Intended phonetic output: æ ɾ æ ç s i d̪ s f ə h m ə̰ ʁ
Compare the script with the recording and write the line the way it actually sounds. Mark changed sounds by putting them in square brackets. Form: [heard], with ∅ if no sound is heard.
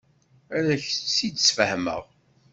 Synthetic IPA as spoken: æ ɾ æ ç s i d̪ s f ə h m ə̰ ʁ